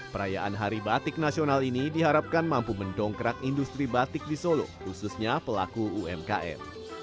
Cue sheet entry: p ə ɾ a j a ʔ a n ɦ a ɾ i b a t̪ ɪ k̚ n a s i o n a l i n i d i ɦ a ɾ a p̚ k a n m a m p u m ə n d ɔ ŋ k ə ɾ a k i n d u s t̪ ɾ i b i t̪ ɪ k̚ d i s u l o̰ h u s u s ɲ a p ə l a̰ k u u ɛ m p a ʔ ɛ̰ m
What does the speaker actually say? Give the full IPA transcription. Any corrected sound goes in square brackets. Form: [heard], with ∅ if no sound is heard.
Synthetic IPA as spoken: p ə ɾ a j a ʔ a n ɦ a ɾ i b a t̪ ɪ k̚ n a s i o n a l i n i d i ɦ a ɾ a p̚ k a n m a m p u m ə n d ɔ ŋ k ə ɾ a k i n d u s t̪ ɾ i b [a] t̪ ɪ k̚ d i s [o] l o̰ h u s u s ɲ a p ə l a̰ k u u ɛ m [k] a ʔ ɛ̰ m